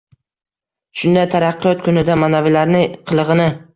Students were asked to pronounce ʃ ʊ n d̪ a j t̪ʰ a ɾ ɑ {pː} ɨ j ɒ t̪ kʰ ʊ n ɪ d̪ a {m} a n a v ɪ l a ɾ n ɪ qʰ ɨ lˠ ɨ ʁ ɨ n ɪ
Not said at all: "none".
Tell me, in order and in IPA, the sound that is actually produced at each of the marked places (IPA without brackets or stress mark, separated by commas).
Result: qː, m